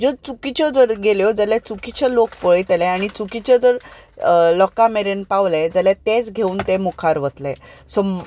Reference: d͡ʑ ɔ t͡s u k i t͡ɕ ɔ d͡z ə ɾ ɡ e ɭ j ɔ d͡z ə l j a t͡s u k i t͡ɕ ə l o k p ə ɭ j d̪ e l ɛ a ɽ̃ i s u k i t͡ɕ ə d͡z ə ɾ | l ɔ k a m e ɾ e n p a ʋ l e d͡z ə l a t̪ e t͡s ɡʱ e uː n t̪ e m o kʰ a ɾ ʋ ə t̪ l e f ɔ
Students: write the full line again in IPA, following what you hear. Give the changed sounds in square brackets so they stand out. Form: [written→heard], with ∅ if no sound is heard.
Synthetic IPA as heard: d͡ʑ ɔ t͡s u k i t͡ɕ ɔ d͡z ə ɾ ɡ e [ɭ→l] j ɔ d͡z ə l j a t͡s u k i t͡ɕ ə l o k p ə ɭ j [d̪→t̪] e l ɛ a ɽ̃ i [s→t͡s] u k i t͡ɕ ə d͡z ə ɾ | l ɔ k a m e ɾ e n p a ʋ l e d͡z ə l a t̪ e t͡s ɡʱ e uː n t̪ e m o kʰ a ɾ ʋ ə t̪ l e [f→s] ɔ